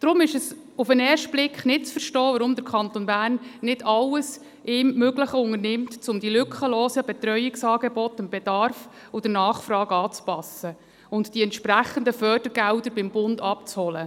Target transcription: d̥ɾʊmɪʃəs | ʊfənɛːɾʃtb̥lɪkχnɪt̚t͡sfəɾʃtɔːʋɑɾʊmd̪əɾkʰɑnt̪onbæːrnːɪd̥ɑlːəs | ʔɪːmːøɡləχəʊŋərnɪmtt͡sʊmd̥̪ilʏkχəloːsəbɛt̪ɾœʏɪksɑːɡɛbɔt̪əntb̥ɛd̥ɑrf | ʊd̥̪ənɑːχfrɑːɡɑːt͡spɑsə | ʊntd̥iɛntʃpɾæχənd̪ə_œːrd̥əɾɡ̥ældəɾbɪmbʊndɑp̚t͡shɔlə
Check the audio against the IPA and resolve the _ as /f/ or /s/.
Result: f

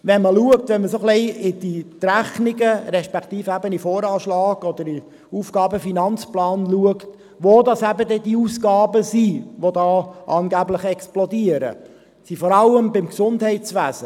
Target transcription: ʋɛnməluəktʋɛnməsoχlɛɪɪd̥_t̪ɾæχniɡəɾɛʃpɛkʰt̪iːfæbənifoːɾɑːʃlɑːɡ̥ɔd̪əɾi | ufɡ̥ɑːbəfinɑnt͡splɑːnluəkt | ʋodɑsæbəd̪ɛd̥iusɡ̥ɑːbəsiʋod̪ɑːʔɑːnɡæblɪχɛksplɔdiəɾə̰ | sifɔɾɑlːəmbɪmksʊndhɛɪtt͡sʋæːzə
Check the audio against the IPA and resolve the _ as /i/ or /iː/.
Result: i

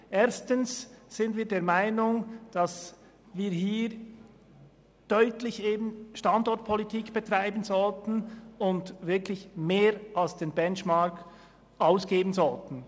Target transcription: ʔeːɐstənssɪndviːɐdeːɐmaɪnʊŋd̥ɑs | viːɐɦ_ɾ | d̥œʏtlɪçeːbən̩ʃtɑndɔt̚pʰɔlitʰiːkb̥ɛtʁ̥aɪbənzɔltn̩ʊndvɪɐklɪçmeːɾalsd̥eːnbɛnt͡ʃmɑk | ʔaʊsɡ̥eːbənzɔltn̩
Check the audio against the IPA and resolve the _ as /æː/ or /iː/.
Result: iː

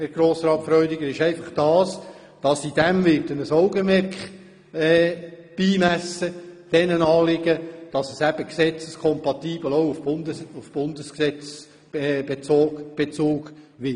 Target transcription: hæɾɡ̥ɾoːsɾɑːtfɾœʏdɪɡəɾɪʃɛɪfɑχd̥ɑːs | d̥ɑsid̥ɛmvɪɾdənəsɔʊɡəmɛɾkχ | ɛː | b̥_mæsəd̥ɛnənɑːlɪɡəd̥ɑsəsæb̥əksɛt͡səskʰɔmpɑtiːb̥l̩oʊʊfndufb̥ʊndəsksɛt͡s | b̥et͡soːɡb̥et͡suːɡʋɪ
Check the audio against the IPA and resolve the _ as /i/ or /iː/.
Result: iː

